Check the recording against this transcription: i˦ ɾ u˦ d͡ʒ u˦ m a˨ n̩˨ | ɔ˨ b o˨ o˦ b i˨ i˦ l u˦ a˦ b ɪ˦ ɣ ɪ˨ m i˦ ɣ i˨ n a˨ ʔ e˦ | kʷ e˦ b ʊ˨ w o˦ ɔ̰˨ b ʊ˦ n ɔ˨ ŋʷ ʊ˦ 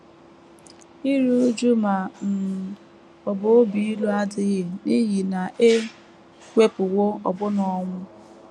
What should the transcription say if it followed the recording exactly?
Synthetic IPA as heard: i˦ ɾ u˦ d͡ʒ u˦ m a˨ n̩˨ | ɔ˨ b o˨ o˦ b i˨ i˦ l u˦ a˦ d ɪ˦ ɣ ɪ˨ n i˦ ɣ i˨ n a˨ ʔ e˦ | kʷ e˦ p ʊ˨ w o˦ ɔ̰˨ b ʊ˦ n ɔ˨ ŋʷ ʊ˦